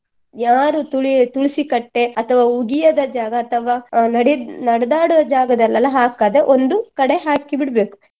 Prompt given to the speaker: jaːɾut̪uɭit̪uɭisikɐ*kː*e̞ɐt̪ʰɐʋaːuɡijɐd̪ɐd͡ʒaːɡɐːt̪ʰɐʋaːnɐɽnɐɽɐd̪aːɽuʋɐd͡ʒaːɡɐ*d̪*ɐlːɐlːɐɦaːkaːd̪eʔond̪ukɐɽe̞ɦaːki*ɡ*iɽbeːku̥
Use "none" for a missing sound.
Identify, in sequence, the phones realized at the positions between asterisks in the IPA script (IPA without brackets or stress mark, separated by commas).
ʈː, d̪, b